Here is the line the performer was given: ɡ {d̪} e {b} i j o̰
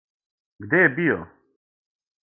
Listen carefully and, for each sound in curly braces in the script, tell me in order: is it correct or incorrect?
correct, correct

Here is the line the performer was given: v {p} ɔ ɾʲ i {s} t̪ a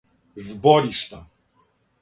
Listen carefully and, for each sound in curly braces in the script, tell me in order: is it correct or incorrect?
incorrect: b, incorrect: ʂ

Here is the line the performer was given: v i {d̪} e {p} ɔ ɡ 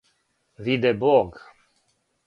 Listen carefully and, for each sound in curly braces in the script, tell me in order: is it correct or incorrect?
correct, incorrect: b

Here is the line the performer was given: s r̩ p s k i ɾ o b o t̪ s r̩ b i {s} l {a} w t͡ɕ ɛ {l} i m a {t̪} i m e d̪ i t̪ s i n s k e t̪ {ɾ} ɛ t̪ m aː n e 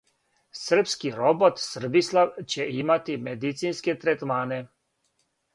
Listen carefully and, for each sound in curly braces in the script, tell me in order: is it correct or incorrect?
correct, correct, incorrect: none, correct, correct

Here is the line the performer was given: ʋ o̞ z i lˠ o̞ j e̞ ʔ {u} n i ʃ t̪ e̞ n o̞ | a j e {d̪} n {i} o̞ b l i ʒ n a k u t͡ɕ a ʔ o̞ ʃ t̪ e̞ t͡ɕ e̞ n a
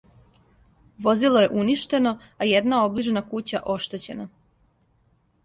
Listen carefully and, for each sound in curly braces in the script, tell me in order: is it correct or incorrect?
correct, correct, incorrect: a

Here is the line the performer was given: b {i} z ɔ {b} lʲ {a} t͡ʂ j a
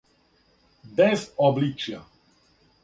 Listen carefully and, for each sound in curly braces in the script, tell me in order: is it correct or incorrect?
incorrect: ɛ, correct, incorrect: i

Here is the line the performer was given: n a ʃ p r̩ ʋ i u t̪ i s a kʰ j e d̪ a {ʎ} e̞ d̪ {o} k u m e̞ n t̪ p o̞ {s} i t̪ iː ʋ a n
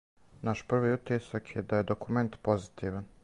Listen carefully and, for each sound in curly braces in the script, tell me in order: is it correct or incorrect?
incorrect: j, correct, incorrect: z

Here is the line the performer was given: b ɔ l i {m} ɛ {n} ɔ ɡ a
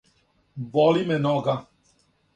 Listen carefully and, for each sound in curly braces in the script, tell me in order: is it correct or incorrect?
correct, correct

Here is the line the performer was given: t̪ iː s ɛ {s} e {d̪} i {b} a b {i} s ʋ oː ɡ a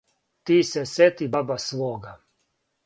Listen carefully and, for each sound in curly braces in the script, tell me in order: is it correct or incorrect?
correct, incorrect: t̪, correct, incorrect: a

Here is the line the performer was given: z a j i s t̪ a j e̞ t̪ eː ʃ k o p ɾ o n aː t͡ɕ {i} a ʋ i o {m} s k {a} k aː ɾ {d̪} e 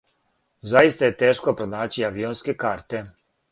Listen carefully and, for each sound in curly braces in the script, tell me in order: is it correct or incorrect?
correct, incorrect: n, incorrect: e, incorrect: t̪

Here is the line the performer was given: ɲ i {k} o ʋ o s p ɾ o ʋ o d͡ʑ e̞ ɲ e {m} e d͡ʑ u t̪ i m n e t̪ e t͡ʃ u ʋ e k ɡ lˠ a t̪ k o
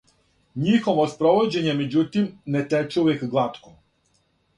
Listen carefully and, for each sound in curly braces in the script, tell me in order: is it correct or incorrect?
incorrect: x, correct

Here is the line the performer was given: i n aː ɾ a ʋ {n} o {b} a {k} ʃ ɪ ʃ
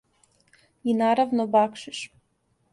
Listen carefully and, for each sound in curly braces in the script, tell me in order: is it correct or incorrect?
correct, correct, correct

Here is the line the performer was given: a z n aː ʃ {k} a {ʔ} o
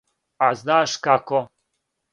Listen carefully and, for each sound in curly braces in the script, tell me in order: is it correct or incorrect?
correct, incorrect: k

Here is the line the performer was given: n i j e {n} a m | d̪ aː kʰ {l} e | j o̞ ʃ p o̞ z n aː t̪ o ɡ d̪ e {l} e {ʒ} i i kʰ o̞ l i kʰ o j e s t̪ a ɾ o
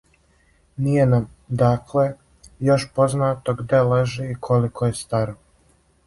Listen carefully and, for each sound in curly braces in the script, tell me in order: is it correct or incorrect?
correct, correct, correct, correct

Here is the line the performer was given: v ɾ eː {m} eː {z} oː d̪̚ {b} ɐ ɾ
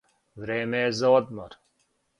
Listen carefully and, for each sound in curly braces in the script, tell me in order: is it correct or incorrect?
correct, correct, incorrect: m

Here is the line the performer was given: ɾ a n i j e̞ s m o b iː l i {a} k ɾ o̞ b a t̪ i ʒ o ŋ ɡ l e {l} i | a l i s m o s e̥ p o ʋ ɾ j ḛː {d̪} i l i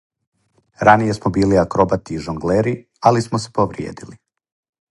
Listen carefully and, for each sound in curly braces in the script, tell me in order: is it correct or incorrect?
correct, incorrect: ɾ, correct

